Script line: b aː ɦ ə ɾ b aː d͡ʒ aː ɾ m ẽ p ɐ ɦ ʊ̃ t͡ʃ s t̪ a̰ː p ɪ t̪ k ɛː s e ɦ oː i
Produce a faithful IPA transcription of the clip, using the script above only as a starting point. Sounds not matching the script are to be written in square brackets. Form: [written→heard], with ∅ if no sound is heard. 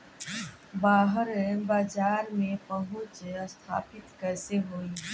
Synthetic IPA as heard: b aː ɦ ə ɾ b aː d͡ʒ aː ɾ m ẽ p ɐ ɦ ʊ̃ t͡ʃ s [t̪→t̪ʰ] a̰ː p ɪ t̪ k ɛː s e ɦ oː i